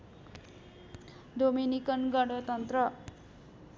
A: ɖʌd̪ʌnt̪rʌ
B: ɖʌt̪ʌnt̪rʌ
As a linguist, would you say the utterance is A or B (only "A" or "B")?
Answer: B